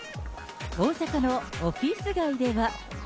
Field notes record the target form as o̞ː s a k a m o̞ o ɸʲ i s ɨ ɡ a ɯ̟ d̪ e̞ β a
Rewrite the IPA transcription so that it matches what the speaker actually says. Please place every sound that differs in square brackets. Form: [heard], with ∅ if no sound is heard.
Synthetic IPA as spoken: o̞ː s a k a [n] o̞ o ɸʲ i s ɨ ɡ a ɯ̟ d̪ e̞ β a